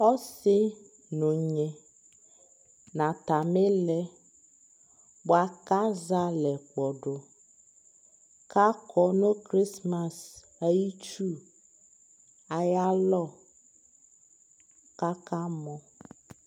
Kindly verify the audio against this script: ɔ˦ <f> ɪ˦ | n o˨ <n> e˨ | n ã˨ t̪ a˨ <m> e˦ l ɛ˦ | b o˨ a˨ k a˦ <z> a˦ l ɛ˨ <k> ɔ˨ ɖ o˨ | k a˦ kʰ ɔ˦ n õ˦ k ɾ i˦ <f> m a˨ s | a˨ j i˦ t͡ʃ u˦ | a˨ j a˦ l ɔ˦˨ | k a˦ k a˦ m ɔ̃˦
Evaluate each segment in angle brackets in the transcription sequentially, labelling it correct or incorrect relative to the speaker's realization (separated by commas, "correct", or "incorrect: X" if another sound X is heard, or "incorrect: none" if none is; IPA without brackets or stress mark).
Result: incorrect: s, incorrect: ɲ, correct, correct, incorrect: k͡p, incorrect: s